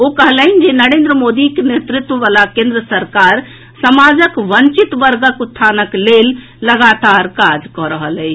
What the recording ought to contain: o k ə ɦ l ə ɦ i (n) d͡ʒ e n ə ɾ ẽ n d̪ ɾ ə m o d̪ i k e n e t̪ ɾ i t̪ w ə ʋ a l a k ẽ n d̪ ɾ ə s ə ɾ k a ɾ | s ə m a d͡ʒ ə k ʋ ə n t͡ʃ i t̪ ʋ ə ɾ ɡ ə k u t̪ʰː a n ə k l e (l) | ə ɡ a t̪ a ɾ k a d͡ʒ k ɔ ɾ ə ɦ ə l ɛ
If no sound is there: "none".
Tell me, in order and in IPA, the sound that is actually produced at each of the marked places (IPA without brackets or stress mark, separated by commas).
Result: n, lː